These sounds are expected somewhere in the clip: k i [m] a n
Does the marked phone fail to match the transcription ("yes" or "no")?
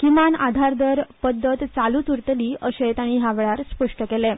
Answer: no